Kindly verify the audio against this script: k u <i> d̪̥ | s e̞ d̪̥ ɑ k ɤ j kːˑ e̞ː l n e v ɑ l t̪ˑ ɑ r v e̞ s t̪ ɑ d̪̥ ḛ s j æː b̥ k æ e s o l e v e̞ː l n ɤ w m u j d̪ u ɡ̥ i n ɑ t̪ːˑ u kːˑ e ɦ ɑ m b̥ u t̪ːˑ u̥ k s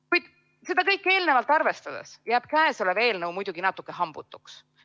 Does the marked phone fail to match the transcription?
yes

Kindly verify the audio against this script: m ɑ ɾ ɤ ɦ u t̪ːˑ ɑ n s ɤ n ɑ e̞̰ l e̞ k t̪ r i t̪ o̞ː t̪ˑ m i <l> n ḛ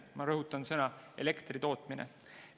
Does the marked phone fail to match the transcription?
yes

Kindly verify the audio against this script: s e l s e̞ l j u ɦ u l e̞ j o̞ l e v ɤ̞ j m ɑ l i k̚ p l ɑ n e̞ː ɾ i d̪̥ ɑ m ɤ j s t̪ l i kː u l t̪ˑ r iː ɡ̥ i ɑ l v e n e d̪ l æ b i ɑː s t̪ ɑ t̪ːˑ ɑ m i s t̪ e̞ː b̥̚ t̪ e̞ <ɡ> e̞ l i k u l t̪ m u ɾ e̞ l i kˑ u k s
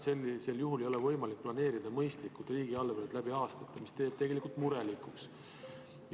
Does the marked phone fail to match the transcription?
no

